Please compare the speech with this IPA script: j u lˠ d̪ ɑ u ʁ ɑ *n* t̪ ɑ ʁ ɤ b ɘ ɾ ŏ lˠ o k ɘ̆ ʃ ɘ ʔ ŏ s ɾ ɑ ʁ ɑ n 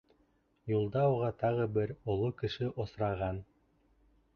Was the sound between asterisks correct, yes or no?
no